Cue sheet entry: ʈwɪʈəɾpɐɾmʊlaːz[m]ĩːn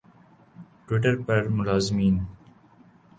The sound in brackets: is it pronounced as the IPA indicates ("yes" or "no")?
yes